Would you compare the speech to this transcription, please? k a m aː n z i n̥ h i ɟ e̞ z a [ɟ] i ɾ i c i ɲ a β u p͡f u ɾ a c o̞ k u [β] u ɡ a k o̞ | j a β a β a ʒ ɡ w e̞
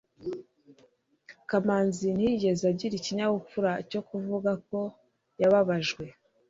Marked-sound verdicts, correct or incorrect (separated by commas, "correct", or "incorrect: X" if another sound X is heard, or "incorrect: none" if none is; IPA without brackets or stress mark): correct, incorrect: v